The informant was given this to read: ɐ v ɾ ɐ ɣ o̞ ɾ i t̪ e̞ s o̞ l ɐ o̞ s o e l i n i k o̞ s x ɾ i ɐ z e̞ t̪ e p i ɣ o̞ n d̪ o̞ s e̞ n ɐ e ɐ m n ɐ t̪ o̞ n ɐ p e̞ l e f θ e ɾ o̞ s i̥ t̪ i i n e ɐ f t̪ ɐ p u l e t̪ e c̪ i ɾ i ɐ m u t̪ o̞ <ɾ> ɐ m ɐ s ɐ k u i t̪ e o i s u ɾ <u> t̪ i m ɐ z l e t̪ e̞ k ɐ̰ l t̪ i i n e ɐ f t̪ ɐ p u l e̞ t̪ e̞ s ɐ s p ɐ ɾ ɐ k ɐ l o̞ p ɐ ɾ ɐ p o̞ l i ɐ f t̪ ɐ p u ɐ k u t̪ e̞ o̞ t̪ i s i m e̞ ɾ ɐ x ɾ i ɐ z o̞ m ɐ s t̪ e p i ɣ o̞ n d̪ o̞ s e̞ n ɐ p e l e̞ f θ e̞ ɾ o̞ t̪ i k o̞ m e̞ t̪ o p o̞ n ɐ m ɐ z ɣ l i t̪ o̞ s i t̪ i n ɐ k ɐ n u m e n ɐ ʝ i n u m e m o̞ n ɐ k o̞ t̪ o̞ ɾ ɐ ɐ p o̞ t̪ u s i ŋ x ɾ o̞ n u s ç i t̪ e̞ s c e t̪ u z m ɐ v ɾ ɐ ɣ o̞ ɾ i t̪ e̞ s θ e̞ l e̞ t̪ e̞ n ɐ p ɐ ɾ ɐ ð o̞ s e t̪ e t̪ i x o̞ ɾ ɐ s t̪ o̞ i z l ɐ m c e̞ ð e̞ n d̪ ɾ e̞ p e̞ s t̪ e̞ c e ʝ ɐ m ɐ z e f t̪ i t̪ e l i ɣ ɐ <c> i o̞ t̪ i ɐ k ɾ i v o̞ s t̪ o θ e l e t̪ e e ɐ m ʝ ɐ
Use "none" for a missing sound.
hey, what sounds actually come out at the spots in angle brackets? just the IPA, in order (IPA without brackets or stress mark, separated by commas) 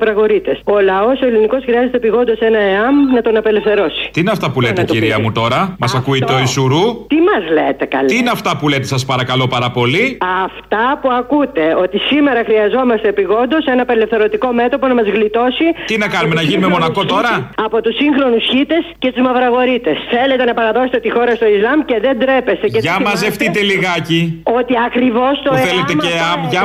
ɾ, u, c